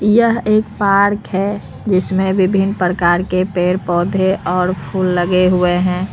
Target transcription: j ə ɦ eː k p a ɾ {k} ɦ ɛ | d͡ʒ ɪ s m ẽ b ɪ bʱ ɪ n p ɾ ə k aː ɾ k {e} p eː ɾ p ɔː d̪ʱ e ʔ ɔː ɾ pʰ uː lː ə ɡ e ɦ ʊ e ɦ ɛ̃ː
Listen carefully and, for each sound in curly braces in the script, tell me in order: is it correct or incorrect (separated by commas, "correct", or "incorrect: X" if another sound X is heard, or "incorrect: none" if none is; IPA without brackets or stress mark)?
correct, correct